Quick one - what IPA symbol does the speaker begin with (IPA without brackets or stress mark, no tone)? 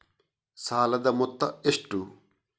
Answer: s